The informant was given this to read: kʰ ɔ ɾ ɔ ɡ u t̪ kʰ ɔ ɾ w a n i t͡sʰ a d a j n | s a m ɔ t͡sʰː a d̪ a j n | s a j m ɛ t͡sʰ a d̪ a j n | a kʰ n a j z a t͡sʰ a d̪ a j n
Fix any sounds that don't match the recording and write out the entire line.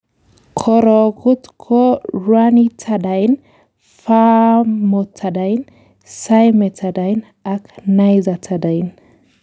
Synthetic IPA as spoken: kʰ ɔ ɾ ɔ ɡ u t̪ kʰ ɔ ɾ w a n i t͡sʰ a d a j n | f a m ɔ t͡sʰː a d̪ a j n | s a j m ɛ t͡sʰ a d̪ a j n | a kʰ n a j z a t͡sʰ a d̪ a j n